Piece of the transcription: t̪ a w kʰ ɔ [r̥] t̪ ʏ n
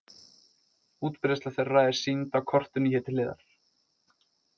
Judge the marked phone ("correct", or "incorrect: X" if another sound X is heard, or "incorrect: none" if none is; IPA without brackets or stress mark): correct